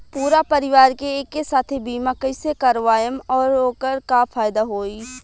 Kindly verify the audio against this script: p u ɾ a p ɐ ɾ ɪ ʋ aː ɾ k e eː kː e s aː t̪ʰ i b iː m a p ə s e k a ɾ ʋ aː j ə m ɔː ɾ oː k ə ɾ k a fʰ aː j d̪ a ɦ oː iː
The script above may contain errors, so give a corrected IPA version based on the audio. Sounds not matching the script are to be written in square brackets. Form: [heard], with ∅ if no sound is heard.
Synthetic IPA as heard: p [uː] ɾ a p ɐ ɾ ɪ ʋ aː ɾ k e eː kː e s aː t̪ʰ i b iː m a [k] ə s e k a ɾ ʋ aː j ə m ɔː ɾ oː k ə ɾ k a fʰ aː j d̪ a ɦ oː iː